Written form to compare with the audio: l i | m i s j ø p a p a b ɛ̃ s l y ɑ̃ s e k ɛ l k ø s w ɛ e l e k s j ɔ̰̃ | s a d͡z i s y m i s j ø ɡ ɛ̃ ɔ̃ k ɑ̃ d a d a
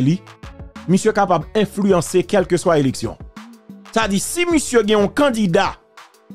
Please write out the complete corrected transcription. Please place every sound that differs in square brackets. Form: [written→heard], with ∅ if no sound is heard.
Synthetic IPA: l i | m i s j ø [p→k] a p a b ɛ̃ [s→f] l y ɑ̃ s e k ɛ l k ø s w [ɛ→a] e l e k s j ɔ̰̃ | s a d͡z i s [y→i] m i s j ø ɡ ɛ̃ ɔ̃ k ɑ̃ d [a→i] d a